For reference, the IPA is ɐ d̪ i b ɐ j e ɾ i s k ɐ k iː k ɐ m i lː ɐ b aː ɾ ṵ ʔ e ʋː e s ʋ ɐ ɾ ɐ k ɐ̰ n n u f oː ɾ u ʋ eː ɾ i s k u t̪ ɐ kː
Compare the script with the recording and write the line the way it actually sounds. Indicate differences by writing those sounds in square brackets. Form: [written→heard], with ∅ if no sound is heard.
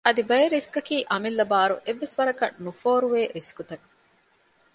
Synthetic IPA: ɐ d̪ i b ɐ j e ɾ i s k ɐ k iː [k→ʔ] ɐ m i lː ɐ b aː ɾ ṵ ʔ e ʋː e s ʋ ɐ ɾ ɐ k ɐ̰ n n u f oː ɾ u ʋ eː ɾ i s k u t̪ ɐ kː